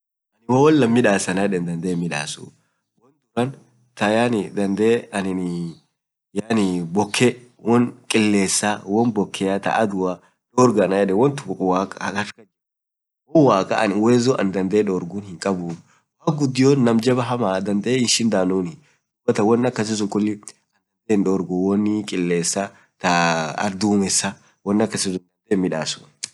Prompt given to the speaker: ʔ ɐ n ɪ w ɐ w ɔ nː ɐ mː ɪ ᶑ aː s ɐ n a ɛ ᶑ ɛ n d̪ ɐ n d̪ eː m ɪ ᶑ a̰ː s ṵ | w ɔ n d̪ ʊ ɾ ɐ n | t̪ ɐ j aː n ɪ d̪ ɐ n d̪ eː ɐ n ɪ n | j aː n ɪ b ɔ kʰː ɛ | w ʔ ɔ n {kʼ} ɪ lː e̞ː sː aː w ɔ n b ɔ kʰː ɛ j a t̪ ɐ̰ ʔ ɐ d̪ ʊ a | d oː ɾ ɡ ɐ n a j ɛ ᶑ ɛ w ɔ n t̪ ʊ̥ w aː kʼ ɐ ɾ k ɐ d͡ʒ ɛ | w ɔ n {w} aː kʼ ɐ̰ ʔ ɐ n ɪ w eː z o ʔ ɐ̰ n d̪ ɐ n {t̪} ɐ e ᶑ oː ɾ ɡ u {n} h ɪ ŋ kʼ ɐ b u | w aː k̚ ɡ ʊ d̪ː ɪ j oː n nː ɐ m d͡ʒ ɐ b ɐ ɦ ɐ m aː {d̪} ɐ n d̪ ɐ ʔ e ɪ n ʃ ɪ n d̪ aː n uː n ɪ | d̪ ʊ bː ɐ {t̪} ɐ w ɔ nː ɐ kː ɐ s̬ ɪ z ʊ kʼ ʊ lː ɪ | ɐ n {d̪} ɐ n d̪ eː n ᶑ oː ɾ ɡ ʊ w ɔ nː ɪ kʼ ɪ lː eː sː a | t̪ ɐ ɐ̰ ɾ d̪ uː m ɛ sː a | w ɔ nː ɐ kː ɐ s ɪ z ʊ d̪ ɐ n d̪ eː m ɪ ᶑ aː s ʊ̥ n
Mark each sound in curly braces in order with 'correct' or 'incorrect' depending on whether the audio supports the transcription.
correct, correct, incorrect, correct, correct, correct, correct

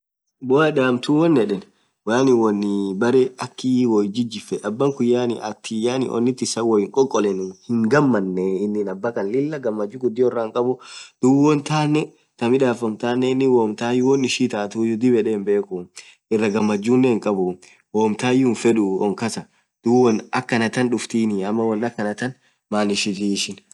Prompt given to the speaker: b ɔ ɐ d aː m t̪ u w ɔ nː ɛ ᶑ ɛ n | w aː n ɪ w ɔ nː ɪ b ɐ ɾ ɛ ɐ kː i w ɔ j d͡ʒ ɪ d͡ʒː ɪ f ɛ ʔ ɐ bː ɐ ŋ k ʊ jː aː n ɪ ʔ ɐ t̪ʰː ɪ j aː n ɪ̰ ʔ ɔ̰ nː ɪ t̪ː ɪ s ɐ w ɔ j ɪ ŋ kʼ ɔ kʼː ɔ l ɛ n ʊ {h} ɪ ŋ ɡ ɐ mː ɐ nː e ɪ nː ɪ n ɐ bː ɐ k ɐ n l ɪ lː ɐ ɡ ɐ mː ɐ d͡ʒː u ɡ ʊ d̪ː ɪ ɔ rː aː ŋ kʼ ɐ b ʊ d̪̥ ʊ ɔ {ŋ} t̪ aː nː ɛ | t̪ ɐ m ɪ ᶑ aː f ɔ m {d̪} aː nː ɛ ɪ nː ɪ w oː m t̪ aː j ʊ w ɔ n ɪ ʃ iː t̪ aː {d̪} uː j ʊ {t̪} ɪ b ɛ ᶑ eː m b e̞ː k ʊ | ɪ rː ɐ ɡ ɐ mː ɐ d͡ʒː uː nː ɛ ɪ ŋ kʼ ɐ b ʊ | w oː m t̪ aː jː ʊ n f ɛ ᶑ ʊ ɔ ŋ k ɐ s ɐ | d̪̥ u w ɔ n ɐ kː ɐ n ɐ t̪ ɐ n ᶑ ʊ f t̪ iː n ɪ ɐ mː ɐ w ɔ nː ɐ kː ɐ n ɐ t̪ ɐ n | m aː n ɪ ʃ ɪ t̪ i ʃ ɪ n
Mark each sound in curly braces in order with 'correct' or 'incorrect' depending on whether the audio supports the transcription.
correct, incorrect, incorrect, incorrect, incorrect

